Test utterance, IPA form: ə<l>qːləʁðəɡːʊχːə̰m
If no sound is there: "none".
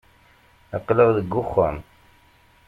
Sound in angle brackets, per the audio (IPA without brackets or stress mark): none